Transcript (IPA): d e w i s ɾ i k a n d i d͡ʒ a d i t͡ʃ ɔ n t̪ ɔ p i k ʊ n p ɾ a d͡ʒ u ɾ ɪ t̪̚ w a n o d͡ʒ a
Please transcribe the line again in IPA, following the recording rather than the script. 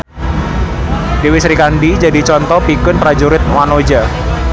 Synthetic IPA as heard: d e w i s ɾ i k a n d i d͡ʒ a d i t͡ʃ ɔ n t̪ ɔ p i k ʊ n p ɾ a d͡ʒ u ɾ ɪ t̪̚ w a n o d͡ʒ a